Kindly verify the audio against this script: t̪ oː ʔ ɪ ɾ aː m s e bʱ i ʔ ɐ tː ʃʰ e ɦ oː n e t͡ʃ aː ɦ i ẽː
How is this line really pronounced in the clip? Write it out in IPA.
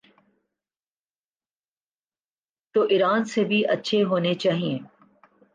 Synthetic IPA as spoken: t̪ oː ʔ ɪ ɾ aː n s e bʱ i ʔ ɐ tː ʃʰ e ɦ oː n e t͡ʃ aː ɦ i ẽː